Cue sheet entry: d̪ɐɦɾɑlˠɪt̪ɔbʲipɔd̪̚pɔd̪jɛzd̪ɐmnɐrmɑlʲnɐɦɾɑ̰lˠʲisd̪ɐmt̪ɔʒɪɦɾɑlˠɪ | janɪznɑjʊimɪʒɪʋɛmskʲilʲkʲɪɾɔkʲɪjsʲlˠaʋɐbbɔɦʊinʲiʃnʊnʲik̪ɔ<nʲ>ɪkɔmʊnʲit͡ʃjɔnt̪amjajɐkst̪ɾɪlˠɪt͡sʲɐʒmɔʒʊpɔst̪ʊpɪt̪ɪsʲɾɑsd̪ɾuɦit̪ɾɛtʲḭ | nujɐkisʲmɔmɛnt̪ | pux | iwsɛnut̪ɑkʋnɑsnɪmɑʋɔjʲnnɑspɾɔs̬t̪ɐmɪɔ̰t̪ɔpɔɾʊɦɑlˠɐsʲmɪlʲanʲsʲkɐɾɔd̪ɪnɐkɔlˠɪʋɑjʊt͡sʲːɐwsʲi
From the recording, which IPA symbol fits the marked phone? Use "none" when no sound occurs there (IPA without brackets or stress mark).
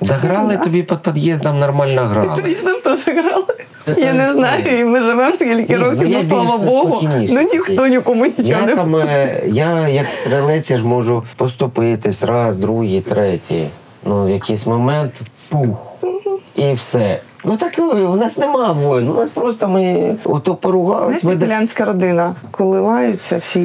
nʲ